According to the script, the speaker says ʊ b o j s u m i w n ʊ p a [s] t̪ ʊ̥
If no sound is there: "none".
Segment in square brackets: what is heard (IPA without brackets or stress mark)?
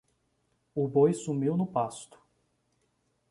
s